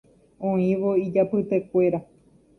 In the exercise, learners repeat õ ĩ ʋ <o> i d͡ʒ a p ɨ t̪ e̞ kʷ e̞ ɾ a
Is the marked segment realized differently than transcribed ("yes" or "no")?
no